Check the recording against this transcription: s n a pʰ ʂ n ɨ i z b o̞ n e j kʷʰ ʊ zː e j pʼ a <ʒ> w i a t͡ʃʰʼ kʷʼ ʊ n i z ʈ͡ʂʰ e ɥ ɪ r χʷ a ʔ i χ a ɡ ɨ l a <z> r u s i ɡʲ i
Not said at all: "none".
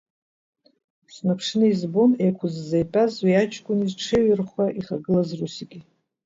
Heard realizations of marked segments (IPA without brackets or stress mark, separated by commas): z, z